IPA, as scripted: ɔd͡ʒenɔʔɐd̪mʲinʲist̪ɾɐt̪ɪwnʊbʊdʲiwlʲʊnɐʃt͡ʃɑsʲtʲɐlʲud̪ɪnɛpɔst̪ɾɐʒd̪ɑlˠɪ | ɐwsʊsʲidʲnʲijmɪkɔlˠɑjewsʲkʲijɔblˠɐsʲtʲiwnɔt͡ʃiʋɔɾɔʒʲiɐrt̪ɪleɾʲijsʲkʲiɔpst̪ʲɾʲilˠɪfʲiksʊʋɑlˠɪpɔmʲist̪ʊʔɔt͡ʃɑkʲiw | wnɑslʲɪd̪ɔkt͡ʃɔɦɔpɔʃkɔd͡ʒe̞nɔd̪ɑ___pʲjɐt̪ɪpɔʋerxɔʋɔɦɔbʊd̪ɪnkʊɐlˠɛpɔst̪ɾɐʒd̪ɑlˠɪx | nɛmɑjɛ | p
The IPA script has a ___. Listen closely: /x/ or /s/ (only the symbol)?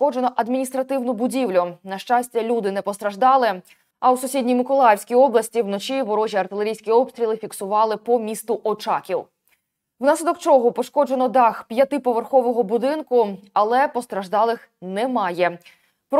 x